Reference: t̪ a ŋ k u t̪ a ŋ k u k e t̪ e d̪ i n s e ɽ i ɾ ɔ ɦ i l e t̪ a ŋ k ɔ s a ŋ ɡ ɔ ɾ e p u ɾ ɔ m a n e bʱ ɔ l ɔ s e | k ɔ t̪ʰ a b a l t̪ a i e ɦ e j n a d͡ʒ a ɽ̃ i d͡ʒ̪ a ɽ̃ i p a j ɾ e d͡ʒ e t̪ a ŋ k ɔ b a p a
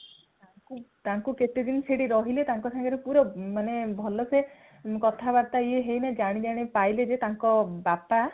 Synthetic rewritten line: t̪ a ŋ k u t̪ a ŋ k u k e t̪ e d̪ i n s e ɽ i ɾ ɔ ɦ i l e t̪ a ŋ k ɔ s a ŋ ɡ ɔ ɾ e p u ɾ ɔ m a n e bʱ ɔ l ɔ s e | k ɔ t̪ʰ a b a ɾ t̪ a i e ɦ e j n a d͡ʒ a ɽ̃ i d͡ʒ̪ a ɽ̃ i p a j l e d͡ʒ e t̪ a ŋ k ɔ b a p a